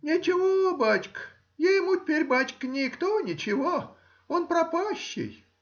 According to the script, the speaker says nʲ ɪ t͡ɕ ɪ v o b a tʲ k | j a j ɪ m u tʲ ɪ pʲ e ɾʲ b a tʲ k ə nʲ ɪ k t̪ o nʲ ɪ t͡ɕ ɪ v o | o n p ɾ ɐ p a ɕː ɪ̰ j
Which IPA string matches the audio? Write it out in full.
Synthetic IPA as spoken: nʲ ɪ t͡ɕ ɪ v o b a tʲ k | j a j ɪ m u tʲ ɪ pʲ e ɾʲ b a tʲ k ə nʲ ɪ k t̪ o nʲ ɪ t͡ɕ ɪ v o | o n p ɾ ɐ p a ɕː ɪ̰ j